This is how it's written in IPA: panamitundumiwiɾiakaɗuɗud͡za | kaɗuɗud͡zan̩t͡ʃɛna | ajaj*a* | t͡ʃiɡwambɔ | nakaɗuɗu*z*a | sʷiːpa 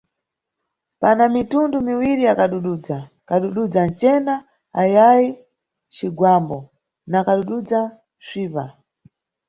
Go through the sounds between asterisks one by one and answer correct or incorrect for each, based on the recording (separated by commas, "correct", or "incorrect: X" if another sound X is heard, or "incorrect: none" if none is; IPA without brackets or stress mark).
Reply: incorrect: i, incorrect: d͡z